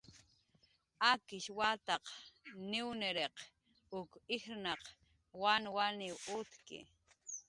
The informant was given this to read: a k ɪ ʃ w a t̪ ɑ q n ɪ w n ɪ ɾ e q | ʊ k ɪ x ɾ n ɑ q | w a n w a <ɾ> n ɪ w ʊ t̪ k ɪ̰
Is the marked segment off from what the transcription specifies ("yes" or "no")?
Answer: yes